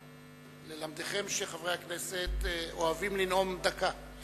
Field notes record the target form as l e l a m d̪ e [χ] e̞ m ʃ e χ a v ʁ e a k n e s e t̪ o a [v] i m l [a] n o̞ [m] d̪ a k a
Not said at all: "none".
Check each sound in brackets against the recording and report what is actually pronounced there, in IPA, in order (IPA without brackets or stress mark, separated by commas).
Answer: χ, v, i, m